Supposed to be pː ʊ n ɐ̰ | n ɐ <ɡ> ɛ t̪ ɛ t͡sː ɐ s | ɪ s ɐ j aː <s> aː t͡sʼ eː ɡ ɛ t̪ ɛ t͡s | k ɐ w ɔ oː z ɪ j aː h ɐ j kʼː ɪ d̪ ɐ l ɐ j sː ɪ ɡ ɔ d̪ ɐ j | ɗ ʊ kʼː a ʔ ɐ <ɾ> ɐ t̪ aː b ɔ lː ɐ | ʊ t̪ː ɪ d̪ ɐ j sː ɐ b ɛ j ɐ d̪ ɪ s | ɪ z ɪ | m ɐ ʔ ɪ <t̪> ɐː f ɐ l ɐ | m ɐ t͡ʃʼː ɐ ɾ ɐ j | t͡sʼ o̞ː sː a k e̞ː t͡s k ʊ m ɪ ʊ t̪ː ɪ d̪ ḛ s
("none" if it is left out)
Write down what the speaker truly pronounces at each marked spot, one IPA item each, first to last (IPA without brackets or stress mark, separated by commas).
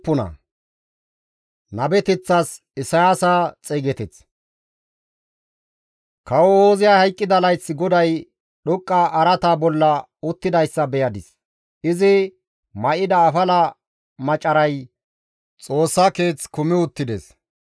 b, s, ɾ, d̪